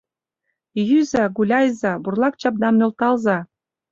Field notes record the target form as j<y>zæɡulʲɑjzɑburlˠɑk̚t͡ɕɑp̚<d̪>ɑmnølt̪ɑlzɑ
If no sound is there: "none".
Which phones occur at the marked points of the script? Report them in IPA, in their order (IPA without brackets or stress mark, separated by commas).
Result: y, d̪